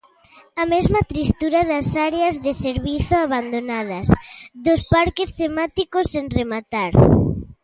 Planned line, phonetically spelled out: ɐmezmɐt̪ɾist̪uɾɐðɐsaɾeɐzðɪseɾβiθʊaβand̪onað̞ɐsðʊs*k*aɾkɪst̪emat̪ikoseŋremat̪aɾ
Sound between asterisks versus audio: incorrect: p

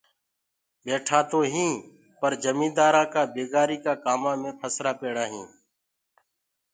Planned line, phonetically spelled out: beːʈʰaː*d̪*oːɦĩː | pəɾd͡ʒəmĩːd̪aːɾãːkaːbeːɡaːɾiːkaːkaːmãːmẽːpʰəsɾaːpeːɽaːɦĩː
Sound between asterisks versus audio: incorrect: t̪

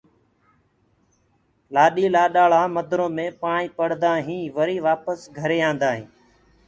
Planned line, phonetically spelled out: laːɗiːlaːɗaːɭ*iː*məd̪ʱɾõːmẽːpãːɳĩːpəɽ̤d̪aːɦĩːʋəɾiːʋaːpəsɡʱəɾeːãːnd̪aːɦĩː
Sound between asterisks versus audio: incorrect: aː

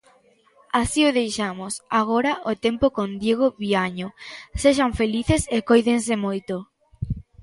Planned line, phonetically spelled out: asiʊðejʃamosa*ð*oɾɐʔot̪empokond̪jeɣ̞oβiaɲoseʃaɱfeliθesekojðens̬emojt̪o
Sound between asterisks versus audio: incorrect: ɣ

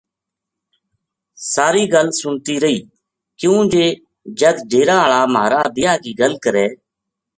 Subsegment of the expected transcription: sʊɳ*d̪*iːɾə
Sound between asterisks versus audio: incorrect: t̪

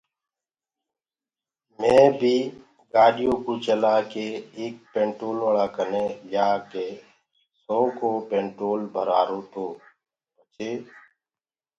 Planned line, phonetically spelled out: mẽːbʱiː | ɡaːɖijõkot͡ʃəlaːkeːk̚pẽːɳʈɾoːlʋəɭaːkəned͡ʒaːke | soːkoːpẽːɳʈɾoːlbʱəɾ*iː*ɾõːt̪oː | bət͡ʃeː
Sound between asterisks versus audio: incorrect: aː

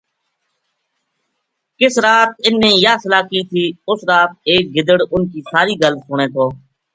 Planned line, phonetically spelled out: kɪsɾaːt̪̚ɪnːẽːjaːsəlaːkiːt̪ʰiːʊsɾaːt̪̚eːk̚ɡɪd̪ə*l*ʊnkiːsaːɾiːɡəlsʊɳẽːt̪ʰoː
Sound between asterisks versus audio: incorrect: ɽ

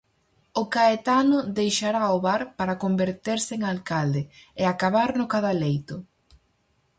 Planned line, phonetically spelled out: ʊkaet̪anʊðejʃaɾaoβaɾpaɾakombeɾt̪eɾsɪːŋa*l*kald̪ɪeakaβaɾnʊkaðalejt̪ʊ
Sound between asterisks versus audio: correct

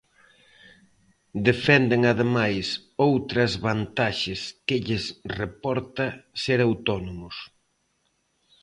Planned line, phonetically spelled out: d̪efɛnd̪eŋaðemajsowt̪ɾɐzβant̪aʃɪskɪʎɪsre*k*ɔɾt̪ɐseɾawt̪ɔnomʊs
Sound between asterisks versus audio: incorrect: p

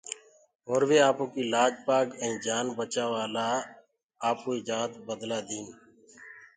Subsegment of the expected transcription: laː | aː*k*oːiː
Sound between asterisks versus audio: incorrect: p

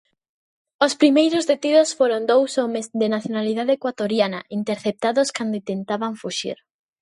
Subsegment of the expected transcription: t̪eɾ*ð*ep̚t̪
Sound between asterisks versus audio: incorrect: θ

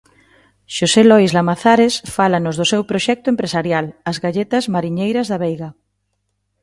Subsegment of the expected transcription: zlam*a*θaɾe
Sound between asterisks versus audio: correct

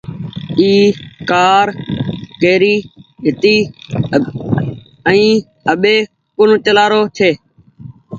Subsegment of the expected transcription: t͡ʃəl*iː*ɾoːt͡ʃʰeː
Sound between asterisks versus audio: incorrect: aː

